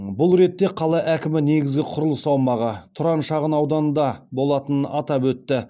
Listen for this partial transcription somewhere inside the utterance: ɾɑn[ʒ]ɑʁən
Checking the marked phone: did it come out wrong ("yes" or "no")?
yes